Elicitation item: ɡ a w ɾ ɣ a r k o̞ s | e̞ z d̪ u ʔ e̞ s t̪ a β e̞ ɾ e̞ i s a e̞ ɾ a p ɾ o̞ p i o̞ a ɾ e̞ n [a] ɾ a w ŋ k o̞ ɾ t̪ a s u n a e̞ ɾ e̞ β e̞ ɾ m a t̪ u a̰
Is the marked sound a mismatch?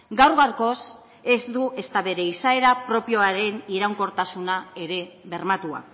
yes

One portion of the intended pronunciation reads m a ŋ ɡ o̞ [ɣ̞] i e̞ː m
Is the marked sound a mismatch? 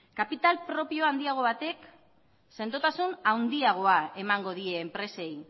yes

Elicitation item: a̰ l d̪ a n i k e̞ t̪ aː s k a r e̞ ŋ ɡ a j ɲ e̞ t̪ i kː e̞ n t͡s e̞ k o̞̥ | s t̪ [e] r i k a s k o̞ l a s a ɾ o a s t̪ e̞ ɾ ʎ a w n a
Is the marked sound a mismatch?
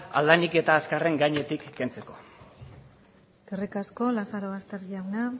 no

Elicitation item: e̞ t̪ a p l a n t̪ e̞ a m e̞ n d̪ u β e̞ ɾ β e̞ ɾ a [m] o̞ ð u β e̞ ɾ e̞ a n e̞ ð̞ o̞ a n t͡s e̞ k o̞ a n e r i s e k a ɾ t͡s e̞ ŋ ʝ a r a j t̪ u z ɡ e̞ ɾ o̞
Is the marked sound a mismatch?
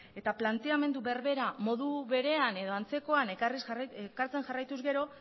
no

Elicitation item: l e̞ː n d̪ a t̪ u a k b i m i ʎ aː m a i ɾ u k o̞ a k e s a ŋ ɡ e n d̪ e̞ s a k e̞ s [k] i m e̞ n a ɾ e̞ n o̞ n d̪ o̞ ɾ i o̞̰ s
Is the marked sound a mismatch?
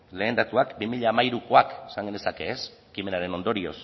no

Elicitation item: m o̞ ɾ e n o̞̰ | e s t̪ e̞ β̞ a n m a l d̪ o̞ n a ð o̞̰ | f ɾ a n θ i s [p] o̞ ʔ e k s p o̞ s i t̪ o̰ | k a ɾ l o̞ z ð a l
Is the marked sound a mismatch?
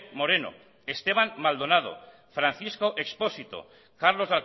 yes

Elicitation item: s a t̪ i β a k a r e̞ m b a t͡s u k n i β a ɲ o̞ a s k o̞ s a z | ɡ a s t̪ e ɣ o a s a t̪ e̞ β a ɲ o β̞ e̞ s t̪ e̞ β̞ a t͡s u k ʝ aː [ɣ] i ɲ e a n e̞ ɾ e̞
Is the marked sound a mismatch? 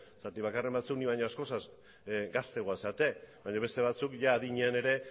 yes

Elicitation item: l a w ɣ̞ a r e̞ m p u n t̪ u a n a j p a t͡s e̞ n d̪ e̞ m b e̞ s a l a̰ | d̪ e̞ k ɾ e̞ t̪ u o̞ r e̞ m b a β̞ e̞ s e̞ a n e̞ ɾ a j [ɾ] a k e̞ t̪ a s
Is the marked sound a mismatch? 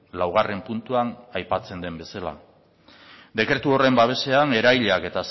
yes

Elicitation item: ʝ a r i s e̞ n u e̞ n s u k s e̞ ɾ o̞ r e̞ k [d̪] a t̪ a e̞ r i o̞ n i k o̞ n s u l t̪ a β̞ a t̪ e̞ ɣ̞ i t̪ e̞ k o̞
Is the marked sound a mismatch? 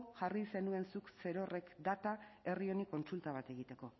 no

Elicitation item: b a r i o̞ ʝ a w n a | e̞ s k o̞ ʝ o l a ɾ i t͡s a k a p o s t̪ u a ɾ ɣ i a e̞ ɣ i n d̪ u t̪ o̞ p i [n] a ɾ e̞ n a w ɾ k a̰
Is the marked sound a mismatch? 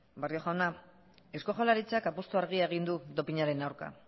yes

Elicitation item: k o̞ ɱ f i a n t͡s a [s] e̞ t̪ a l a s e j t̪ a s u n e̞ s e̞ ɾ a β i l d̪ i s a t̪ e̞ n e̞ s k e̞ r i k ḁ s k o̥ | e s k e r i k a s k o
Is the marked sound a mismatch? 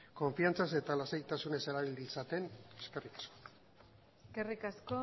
no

